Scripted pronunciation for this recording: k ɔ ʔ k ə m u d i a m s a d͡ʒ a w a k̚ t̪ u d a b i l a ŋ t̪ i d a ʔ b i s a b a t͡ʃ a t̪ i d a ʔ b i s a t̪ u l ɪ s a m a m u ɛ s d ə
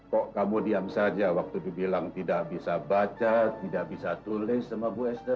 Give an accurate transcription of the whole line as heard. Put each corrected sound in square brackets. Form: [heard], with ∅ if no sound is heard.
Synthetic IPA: k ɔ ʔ k [a] m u d i a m s a d͡ʒ a w a k̚ t̪ u d [i] b i l a ŋ t̪ i d a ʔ b i s a b a t͡ʃ a t̪ i d a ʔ b i s a t̪ u l ɪ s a m a [b] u ɛ s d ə